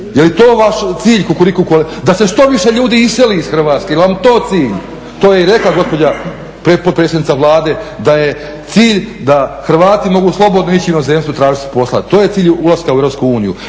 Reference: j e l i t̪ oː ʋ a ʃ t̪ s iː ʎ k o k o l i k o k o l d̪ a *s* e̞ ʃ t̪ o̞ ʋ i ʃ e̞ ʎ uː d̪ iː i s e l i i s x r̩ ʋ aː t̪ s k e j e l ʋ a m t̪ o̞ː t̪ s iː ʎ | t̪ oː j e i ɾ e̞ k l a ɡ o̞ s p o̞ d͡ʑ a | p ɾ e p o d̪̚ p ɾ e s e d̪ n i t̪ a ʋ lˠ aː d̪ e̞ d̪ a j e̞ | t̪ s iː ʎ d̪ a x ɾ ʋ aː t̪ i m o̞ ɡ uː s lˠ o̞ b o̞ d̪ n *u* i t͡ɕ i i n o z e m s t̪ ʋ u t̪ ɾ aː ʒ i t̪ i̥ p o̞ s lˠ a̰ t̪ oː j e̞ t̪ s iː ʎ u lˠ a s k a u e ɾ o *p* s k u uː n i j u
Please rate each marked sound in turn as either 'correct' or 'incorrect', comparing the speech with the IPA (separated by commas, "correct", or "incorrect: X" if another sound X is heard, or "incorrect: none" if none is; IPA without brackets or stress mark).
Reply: correct, incorrect: o, correct